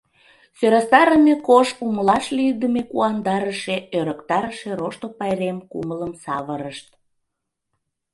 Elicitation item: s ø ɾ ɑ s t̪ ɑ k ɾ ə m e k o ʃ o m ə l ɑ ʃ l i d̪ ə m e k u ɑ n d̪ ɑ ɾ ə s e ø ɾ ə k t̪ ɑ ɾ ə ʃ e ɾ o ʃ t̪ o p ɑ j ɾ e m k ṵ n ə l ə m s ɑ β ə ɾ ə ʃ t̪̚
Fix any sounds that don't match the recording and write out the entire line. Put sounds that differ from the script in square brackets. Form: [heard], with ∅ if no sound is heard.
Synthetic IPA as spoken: s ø ɾ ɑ s t̪ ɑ [∅] ɾ ə m e k o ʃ [u] m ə l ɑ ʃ l i d̪ ə m e k u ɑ n d̪ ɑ ɾ ə [ʃ] e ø ɾ ə k t̪ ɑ ɾ ə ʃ e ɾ o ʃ t̪ o p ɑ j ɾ e m k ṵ [m] ə l ə m s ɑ β ə ɾ ə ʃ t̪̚